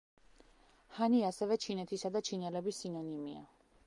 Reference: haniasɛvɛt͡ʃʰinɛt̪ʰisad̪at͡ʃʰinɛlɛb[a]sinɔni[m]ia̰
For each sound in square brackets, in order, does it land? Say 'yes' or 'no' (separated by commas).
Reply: no, yes